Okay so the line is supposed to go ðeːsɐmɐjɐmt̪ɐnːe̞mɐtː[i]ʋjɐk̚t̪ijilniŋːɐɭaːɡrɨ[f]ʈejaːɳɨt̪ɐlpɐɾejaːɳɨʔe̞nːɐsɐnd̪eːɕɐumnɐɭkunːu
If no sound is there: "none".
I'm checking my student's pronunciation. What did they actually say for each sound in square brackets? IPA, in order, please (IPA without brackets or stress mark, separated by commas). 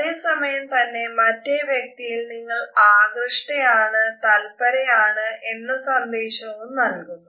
e, ʂ